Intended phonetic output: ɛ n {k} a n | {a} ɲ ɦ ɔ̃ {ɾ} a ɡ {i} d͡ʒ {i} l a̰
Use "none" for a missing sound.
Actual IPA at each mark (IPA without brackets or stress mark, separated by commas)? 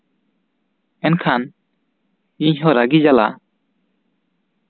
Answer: kʰ, i, ɾ, i, a